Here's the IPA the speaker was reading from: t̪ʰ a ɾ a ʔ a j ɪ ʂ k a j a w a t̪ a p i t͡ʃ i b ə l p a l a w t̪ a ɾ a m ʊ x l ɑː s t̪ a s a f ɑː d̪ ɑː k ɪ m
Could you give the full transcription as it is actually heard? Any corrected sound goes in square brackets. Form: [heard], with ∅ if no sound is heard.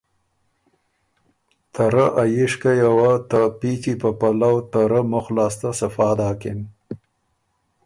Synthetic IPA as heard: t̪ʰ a ɾ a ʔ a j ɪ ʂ k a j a w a t̪ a p i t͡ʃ i [p] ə [∅] p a l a w t̪ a ɾ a m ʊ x l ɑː s t̪ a s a f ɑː d̪ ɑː k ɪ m

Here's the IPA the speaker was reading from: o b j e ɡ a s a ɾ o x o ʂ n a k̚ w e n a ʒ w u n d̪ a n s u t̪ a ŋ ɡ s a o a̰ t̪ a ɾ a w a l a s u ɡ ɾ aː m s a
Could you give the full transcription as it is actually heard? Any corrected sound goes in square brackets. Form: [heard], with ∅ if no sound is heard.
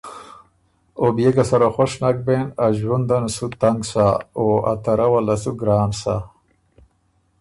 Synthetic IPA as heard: o b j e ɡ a s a ɾ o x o ʂ n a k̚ [b] e n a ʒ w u n d̪ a n s u t̪ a ŋ ɡ s a o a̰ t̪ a ɾ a w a l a s u ɡ ɾ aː [n] s a

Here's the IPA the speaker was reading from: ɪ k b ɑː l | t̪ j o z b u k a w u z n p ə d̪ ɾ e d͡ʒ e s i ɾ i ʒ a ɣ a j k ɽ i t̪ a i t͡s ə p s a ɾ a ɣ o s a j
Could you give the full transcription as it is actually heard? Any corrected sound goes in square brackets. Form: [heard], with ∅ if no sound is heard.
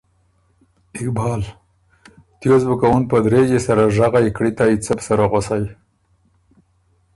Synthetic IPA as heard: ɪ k b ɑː l | t̪ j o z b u k a w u [∅] n p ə d̪ ɾ e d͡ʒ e s [a] ɾ [a] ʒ a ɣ a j k ɽ i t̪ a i t͡s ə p s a ɾ a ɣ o s a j

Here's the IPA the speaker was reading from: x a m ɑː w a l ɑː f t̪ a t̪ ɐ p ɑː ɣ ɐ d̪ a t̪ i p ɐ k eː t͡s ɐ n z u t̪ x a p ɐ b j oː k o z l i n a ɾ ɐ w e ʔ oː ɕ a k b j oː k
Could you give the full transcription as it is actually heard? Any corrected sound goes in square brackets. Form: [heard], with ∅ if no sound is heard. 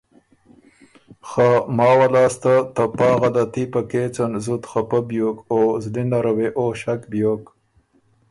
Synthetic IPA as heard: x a m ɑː w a l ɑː [s] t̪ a t̪ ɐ p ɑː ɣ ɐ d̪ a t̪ i p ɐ k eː t͡s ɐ n z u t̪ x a p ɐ b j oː k o z l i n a ɾ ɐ w e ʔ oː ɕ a k b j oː k

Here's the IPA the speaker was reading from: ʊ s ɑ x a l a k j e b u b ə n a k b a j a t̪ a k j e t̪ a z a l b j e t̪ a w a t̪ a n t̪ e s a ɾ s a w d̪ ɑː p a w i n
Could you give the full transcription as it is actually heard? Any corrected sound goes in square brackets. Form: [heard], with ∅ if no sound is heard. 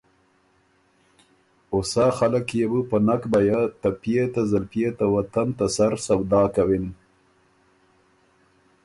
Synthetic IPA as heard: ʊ s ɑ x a l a k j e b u [p] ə n a k b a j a t̪ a [p] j e t̪ a z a l [p] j e t̪ a w a t̪ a n t̪ [a] s a ɾ s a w d̪ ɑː [k] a w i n

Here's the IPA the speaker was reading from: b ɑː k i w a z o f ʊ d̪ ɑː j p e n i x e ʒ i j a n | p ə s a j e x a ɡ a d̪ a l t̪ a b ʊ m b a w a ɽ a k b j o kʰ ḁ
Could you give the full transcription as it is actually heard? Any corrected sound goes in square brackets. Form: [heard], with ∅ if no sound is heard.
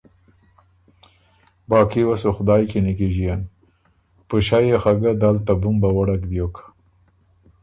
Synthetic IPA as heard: b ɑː k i w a [s] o [x] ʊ d̪ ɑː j [k] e n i [k] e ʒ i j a n | p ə [ʃ] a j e x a ɡ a d̪ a l t̪ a b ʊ m b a w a ɽ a k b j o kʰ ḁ

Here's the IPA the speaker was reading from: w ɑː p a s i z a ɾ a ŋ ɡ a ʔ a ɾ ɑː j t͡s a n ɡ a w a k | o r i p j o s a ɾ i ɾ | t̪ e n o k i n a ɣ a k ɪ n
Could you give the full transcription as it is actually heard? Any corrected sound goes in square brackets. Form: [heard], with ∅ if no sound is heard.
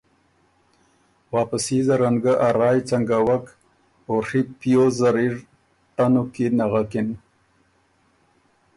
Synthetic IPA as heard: w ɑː p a s i z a ɾ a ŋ ɡ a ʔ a ɾ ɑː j t͡s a [ŋ] ɡ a w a k | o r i p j o [z] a ɾ i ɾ | t̪ [a] n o k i n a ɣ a k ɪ n

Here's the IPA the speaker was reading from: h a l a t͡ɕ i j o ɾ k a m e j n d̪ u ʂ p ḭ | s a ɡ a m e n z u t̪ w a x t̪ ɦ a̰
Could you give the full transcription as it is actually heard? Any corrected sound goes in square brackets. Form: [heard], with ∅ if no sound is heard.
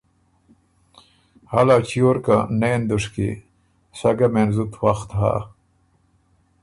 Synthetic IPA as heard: h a l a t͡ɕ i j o ɾ k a [n] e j n d̪ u ʂ [k] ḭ | s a ɡ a m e n z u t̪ w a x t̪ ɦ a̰

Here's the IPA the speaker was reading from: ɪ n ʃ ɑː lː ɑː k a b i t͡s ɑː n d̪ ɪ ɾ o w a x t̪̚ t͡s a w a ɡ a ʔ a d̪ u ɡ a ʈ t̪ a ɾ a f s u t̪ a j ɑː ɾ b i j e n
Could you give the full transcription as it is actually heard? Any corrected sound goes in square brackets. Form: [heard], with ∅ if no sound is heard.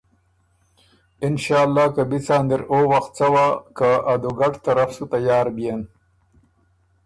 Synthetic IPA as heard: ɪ n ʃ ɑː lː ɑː k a b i t͡s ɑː n d̪ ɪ ɾ o w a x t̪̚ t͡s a w a [k] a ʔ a d̪ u ɡ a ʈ t̪ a ɾ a f s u t̪ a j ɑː ɾ b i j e n

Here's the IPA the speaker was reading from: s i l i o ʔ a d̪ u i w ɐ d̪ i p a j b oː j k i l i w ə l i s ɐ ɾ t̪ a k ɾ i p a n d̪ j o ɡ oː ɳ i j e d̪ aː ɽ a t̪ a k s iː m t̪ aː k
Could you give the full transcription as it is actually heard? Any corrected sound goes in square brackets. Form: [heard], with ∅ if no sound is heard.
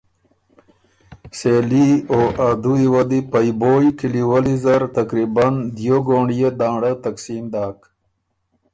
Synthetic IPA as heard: s [e] l i o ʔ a d̪ u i w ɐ d̪ i p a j b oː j k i l i w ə l i [z] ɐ ɾ t̪ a k ɾ i [b] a n d̪ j o ɡ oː ɳ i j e d̪ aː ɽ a t̪ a k s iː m [d̪] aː k

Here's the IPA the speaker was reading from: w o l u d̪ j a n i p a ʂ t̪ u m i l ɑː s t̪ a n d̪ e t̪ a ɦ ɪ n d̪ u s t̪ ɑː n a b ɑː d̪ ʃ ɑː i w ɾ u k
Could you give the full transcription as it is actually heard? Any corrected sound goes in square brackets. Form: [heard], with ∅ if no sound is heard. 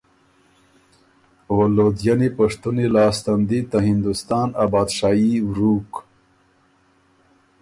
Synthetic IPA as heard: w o l [o] d̪ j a n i p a ʂ t̪ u [n] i l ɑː s t̪ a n d̪ [i] t̪ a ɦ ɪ n d̪ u s t̪ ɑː n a b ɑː d̪ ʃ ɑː i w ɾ u k

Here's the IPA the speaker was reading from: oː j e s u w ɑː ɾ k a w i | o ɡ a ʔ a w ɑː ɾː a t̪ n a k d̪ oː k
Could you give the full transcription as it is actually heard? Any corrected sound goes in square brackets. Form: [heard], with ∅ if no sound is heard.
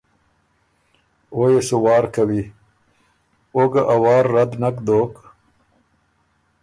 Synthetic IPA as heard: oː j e s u w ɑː ɾ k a w i | o ɡ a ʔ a w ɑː ɾː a [d̪] n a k d̪ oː k

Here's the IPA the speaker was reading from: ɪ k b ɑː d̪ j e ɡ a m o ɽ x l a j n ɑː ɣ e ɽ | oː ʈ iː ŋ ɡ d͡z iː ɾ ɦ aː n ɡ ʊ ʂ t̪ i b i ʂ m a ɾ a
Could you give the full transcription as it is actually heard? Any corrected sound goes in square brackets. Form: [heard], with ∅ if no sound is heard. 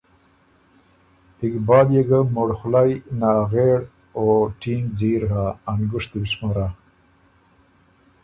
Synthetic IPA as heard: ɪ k b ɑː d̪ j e ɡ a m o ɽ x l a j n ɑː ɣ e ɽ | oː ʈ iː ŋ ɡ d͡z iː ɾ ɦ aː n ɡ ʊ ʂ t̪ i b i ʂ m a ɾ a

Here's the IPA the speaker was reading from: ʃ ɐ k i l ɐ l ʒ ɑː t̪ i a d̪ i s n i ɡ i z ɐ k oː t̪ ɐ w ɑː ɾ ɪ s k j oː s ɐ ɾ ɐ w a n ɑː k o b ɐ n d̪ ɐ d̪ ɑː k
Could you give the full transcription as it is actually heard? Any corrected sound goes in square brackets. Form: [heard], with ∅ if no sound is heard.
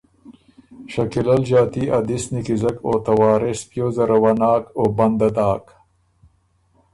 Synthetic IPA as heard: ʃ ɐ k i l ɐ l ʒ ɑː t̪ i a d̪ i s n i [k] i z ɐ k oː t̪ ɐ w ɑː ɾ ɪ s [p] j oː [z] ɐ ɾ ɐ w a n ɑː k o b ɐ n d̪ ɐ d̪ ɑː k

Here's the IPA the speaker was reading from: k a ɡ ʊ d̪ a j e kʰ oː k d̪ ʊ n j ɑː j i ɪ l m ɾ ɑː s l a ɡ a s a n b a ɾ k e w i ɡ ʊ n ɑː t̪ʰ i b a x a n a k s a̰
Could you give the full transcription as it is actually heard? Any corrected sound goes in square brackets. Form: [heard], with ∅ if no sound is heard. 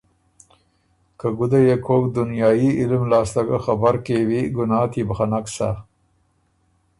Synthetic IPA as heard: k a ɡ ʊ d̪ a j e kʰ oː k d̪ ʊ n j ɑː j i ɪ l m [l] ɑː s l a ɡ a [x] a [∅] b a ɾ k e w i ɡ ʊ n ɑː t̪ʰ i b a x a n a k s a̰

